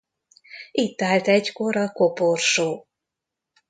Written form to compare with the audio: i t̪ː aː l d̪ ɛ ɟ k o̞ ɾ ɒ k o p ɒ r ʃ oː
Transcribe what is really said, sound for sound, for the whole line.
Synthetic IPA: i t̪ː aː l t̪ ɛ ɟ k o̞ ɾ ɒ k o p o r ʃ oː